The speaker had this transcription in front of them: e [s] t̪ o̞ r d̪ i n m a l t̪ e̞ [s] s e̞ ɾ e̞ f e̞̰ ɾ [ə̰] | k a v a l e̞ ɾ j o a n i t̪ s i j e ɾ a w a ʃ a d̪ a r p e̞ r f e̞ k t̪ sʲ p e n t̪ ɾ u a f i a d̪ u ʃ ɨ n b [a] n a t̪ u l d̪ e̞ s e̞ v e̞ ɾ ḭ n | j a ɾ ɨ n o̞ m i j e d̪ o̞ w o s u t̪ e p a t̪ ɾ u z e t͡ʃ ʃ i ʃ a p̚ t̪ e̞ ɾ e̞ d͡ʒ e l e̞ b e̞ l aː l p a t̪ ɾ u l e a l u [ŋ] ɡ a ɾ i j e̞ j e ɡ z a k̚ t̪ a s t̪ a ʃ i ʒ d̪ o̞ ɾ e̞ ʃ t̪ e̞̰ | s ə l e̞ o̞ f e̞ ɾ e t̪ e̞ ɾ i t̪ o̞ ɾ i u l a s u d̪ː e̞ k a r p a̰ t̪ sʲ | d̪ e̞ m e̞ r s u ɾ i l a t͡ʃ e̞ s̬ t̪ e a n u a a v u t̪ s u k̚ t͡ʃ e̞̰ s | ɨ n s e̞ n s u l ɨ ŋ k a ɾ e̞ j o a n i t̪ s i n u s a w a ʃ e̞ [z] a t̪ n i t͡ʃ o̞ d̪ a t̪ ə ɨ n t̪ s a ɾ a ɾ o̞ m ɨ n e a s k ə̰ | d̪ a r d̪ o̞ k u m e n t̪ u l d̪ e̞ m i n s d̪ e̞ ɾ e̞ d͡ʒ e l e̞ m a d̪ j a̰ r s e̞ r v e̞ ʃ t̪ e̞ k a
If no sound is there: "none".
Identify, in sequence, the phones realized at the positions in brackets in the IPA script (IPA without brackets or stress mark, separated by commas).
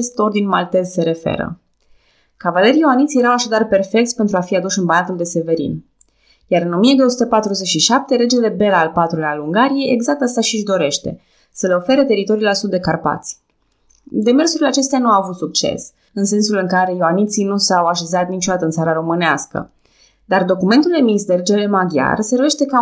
s, z, ə̰, a, ŋ, z